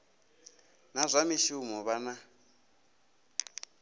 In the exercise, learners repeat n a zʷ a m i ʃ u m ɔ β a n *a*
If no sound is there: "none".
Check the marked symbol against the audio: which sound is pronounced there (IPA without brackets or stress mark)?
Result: a